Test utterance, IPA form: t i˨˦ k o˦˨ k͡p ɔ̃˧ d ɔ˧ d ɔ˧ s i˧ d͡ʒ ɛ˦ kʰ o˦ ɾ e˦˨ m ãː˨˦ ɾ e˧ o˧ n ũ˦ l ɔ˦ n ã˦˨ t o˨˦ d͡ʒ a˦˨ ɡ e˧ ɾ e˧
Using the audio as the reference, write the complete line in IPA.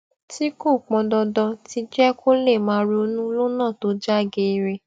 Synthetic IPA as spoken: t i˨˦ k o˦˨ k͡p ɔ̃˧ d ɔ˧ d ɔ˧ t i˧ d͡ʒ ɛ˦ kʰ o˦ l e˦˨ m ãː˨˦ ɾ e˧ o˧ n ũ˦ l o˦ n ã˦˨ t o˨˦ d͡ʒ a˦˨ ɡ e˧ ɾ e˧